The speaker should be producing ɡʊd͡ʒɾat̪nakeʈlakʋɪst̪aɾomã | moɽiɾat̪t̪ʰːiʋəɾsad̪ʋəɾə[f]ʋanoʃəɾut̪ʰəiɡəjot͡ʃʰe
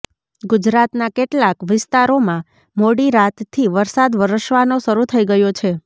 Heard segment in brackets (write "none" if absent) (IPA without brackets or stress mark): ʃ